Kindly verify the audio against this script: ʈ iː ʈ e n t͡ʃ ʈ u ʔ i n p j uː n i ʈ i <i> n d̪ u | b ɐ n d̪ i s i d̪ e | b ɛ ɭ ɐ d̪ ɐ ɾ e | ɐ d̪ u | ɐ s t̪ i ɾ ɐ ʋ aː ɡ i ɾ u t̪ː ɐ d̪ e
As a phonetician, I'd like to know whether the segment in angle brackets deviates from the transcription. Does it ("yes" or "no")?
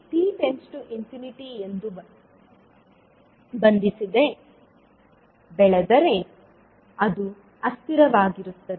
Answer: yes